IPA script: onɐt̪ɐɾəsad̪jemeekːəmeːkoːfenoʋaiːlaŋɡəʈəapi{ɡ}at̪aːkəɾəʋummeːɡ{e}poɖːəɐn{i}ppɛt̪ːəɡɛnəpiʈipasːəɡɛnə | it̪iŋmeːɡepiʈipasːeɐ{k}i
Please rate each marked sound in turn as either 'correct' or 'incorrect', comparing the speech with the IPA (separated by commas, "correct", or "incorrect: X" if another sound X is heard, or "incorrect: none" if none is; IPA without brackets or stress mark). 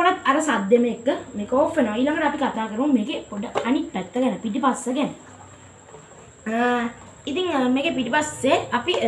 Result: incorrect: k, correct, correct, incorrect: p